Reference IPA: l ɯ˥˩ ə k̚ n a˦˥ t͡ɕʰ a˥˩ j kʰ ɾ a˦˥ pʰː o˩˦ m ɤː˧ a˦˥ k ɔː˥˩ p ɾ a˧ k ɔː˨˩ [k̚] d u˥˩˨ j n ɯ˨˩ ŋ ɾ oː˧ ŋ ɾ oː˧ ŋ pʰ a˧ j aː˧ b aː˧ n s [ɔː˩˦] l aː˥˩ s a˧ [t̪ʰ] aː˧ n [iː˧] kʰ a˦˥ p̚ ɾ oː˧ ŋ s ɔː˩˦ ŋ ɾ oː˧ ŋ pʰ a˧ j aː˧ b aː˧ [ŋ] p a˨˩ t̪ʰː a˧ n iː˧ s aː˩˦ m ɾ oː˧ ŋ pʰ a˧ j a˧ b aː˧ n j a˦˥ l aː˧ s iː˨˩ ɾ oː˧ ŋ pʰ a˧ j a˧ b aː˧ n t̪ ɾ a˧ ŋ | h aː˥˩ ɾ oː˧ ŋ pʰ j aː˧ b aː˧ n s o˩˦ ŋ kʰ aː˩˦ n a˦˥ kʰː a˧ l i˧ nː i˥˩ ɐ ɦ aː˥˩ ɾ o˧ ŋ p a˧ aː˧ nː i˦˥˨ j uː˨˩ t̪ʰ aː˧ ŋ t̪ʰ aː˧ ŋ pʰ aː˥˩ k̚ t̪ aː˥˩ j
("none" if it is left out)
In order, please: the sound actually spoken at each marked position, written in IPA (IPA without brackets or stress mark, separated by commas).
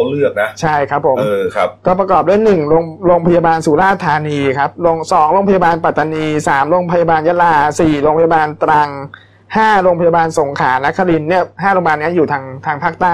p̚, uː˩˦, t̪ʰ, iː˧, n